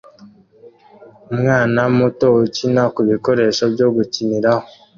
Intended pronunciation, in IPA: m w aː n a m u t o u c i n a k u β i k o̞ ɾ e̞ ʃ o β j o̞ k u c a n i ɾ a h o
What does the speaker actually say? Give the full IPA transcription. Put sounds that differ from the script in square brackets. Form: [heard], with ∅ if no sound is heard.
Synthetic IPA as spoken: m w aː n a m u t o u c i n a k u β i k o̞ ɾ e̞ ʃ o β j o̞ [ɡ] u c [i] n i ɾ a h o